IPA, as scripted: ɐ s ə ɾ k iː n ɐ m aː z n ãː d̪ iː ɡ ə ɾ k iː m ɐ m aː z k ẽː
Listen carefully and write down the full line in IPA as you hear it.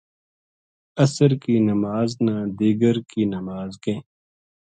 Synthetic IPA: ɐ s ə ɾ k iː n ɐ m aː z n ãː d̪ iː ɡ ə ɾ k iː n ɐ m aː z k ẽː